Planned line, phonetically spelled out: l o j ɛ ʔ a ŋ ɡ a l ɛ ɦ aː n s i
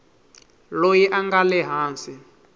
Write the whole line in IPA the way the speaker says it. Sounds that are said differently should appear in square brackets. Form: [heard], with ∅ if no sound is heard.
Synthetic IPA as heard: l o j [i] ʔ a ŋ ɡ a l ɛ ɦ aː n s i